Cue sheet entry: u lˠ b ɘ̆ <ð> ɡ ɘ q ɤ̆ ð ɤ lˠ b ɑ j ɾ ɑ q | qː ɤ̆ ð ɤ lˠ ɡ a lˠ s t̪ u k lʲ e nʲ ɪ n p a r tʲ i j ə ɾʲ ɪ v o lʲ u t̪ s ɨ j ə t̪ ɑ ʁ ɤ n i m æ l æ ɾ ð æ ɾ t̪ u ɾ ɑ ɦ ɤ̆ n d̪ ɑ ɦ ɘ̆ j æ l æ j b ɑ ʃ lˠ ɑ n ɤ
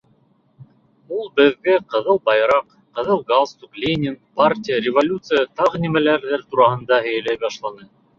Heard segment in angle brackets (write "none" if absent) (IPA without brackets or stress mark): ð